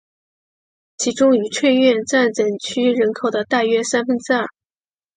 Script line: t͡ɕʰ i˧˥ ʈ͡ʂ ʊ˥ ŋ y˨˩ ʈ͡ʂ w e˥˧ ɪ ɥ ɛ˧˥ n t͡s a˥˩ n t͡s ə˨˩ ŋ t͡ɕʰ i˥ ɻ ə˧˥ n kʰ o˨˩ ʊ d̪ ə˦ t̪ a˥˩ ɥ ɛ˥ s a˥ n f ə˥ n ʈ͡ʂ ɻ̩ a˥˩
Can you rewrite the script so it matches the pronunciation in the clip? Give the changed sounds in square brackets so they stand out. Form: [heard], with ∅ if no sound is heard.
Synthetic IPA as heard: t͡ɕʰ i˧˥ ʈ͡ʂ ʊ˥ ŋ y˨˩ [ʈ͡ʂʰ] w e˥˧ ɪ ɥ [ɛ˥˧] n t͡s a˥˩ n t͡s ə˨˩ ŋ t͡ɕʰ [y˥] ɻ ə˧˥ n kʰ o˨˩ ʊ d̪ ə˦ t̪ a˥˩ ɥ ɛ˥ s a˥ n f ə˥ n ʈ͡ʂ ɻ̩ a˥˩